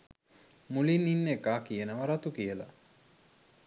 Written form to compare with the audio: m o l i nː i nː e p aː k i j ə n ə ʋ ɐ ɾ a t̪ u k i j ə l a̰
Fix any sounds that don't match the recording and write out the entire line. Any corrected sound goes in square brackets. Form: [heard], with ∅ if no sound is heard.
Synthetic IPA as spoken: m [u] l i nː i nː e [k] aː k i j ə n ə ʋ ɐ ɾ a t̪ u k i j ə l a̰